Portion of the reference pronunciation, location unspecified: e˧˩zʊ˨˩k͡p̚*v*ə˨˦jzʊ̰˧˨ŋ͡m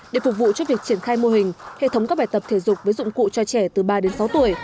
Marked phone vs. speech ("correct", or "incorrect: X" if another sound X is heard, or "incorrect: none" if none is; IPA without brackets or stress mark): correct